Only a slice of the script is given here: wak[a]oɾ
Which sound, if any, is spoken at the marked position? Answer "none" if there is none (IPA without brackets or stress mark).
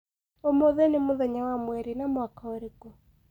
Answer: a